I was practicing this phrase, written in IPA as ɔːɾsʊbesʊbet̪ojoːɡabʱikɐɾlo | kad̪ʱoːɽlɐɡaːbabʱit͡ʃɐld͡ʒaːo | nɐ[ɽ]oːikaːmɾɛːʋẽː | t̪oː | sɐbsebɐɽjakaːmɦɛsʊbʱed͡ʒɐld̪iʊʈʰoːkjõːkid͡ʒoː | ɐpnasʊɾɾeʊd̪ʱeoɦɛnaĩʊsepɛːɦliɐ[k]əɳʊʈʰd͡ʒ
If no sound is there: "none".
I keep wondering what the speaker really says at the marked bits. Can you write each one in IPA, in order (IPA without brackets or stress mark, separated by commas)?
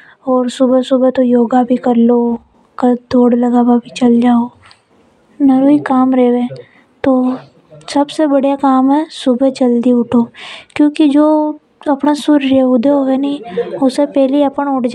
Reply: ɾ, p